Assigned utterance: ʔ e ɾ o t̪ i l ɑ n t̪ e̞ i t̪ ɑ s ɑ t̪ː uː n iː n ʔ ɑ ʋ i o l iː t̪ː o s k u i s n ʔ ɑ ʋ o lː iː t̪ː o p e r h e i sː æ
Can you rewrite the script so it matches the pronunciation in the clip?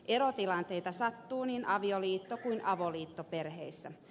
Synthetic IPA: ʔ e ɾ o t̪ i l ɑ n t̪ e̞ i t̪ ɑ s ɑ t̪ː uː n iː n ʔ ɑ ʋ i o l iː t̪ː o k u i n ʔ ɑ ʋ o l iː t̪ː o p e r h e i sː æ